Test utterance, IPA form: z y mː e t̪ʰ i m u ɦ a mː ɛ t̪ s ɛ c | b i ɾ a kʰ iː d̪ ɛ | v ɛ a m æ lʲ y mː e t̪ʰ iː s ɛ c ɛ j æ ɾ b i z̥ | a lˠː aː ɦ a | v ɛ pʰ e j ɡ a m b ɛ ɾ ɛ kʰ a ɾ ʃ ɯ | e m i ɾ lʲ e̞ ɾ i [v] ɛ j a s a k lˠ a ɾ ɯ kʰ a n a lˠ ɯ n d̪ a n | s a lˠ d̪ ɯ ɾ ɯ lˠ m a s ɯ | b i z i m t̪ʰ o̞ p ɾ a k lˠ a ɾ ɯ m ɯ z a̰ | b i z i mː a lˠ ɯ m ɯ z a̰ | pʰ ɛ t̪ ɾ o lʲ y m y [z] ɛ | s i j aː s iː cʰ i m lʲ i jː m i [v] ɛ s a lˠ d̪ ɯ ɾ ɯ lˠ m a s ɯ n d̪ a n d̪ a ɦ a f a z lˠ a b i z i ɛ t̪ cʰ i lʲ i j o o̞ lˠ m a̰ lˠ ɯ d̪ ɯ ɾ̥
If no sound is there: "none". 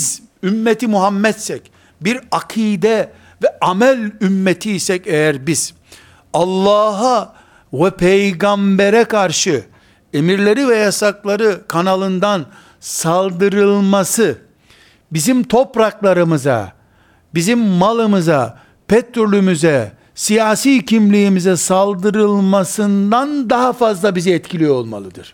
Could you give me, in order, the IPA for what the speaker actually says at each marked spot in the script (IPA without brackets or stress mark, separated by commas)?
v, z, z